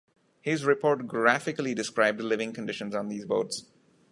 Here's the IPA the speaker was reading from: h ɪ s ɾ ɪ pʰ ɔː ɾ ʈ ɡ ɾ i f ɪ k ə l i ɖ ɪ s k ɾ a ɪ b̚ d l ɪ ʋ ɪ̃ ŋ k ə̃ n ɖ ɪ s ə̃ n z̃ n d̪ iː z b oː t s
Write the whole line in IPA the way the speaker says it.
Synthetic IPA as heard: h ɪ z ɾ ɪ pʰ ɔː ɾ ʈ ɡ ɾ æ f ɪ k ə l i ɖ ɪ s k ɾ a ɪ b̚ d l ɪ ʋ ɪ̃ ŋ k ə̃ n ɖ ɪ ʃ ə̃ n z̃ n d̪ iː z b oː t s